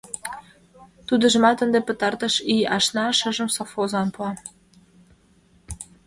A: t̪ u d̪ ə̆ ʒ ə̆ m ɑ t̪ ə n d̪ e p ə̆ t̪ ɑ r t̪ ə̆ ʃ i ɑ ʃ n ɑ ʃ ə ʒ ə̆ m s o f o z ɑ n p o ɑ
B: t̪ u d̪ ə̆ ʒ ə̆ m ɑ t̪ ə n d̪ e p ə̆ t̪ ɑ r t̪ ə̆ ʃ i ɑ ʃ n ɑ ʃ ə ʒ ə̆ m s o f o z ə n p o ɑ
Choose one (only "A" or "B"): A